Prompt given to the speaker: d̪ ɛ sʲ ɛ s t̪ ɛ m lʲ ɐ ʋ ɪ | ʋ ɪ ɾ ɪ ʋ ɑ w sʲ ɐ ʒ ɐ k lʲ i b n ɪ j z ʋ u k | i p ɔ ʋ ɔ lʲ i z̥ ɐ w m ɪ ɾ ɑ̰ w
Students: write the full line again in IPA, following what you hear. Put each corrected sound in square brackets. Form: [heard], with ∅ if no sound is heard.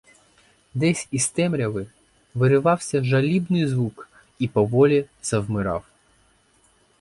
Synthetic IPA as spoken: d̪ ɛ sʲ [i] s t̪ ɛ m [ɾʲ] ɐ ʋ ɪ | ʋ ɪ ɾ ɪ ʋ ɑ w sʲ ɐ ʒ ɐ [∅] lʲ i b n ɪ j z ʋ u k | i p ɔ ʋ ɔ lʲ i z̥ ɐ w m ɪ ɾ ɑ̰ w